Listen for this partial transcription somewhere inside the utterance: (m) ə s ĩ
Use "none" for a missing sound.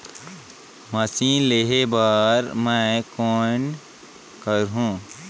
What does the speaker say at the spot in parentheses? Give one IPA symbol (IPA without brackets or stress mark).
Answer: m